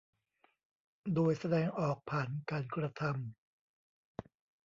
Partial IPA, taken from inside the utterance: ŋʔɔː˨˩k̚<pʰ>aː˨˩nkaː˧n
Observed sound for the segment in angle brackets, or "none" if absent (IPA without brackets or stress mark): pʰ